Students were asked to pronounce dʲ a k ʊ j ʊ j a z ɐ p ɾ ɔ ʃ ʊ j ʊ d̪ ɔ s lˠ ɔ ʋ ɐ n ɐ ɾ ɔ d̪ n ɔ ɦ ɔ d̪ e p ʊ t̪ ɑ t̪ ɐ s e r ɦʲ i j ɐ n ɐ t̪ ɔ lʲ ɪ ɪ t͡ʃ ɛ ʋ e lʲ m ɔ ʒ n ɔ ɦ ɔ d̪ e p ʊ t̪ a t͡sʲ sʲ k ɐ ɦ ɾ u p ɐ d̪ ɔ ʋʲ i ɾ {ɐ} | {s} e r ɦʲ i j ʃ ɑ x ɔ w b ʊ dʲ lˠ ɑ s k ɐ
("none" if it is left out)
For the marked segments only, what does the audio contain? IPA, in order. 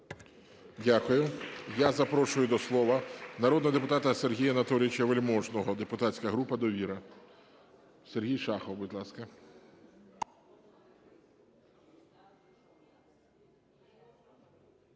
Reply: ɐ, s

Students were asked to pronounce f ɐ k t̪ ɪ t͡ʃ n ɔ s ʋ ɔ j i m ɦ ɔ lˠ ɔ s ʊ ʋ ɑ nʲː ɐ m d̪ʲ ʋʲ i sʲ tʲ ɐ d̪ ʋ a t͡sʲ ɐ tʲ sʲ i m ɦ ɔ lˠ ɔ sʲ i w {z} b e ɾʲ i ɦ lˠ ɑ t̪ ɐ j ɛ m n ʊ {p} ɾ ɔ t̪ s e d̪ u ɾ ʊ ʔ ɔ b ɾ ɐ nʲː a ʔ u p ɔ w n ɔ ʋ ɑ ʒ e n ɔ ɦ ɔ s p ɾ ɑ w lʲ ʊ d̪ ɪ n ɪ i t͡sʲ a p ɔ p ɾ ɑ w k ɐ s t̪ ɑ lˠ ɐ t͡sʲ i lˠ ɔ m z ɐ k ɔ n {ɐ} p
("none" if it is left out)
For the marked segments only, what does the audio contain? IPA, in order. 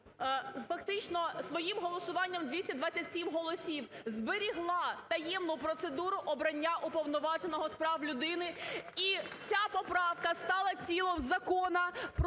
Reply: z, p, ɐ

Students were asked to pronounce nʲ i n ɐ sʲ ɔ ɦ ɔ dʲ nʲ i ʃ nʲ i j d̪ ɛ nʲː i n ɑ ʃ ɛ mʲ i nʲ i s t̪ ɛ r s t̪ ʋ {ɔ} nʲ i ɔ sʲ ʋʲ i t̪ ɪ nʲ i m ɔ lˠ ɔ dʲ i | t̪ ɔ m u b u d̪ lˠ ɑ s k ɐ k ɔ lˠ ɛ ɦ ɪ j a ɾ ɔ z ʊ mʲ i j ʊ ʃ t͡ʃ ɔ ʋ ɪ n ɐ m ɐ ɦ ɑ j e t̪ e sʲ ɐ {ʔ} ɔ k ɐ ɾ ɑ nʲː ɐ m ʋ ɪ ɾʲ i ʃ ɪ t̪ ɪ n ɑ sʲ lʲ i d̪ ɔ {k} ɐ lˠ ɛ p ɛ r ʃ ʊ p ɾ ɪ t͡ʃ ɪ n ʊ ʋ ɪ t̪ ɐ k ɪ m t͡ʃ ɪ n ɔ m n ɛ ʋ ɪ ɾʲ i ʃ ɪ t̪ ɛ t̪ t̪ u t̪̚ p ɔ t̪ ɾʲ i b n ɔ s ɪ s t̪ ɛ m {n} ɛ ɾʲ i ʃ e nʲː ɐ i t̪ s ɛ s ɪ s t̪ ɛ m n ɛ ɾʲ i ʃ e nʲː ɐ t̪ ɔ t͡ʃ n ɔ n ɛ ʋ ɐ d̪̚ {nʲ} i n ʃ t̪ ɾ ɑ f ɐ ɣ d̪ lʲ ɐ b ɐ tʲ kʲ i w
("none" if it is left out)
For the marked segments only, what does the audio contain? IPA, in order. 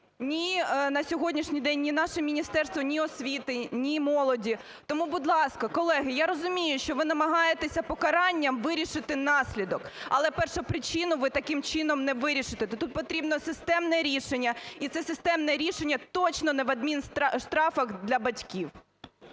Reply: ɔ, p, k, n, mʲ

